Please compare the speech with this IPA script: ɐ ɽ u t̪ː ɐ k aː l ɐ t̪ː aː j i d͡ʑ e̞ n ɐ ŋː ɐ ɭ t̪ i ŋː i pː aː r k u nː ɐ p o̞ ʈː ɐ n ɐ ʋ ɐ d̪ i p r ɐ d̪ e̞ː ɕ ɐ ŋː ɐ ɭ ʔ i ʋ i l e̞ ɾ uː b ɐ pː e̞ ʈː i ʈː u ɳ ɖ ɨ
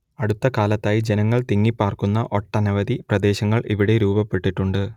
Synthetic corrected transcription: ɐ ɽ u t̪ː ɐ k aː l ɐ t̪ː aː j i d͡ʑ e̞ n ɐ ŋː ɐ ɭ t̪ i ŋː i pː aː r k u nː ɐ ʔ o̞ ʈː ɐ n ɐ ʋ ɐ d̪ i p r ɐ d̪ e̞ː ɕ ɐ ŋː ɐ ɭ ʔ i ʋ i ɽ e̞ ɾ uː b ɐ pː e̞ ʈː i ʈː u ɳ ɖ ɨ

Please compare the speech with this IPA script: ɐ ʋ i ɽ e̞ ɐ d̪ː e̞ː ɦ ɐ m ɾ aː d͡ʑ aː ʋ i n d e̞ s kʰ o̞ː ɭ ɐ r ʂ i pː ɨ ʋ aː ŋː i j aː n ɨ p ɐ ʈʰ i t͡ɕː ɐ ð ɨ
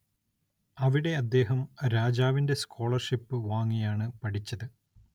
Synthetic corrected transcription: ɐ ʋ i ɽ e̞ ɐ d̪ː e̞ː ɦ ɐ m ɾ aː d͡ʑ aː ʋ i n d e̞ s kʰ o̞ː ɭ ɐ r ʂ i pː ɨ ʋ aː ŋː i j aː ɳ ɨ p ɐ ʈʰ i t͡ɕː ɐ ð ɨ

